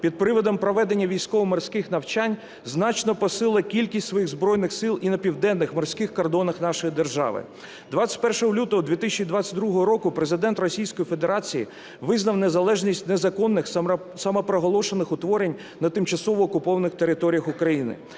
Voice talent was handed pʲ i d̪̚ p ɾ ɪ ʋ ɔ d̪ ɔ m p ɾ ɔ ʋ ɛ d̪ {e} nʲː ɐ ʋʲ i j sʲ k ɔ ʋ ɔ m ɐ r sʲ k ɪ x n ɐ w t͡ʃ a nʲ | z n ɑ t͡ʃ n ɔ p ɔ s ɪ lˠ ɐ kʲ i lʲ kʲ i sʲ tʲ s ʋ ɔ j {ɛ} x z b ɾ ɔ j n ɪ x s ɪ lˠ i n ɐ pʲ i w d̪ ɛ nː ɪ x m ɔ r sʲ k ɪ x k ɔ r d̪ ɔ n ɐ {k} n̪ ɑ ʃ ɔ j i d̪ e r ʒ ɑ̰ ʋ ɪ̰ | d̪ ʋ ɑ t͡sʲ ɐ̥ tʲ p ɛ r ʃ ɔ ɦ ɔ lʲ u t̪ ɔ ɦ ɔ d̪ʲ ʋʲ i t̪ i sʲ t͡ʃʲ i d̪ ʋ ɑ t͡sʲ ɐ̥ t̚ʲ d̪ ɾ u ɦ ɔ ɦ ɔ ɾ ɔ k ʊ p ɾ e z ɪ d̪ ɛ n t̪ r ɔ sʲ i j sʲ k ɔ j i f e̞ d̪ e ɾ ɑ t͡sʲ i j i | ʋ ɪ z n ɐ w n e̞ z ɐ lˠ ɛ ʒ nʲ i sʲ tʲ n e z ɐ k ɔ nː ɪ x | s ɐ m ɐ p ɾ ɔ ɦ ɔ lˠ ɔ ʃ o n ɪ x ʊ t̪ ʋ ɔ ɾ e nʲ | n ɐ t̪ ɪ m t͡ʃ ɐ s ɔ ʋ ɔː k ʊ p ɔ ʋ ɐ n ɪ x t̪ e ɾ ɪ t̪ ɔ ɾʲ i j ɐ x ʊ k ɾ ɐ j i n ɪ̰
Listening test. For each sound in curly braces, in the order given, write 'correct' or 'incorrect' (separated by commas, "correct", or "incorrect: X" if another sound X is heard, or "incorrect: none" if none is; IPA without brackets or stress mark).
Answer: correct, incorrect: i, incorrect: x